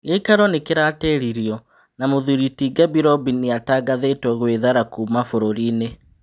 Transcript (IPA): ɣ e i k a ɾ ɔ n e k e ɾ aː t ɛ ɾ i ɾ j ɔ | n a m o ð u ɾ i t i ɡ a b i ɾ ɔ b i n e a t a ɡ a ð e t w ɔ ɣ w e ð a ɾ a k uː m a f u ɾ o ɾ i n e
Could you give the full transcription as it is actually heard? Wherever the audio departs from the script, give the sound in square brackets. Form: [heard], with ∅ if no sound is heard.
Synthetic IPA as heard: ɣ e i k a ɾ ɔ n e k e ɾ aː t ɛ ɾ i ɾ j ɔ | n a m o ð u ɾ i t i ɡ a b i ɾ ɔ b i n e a t a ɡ a ð e t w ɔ ɣ w e ð a ɾ a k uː m a f [o] ɾ o ɾ i n e